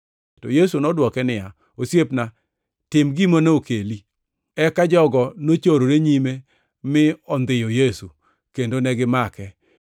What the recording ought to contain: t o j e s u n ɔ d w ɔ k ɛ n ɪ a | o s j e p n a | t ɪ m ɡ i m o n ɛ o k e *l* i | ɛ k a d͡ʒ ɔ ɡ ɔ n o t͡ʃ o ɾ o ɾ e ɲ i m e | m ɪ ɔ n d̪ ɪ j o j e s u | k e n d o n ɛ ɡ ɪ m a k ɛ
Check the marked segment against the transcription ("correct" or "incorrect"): correct